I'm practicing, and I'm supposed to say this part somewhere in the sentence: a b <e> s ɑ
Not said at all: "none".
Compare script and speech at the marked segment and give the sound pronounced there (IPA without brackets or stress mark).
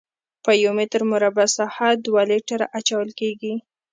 a